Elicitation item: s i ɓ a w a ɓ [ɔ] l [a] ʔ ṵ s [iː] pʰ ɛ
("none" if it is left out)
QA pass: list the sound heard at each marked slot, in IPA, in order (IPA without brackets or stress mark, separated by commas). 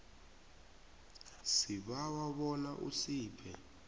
ɔ, a, iː